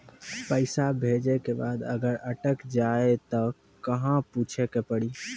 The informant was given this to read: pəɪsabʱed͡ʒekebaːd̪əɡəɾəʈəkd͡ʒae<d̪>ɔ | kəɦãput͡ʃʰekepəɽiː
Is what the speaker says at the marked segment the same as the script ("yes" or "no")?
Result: no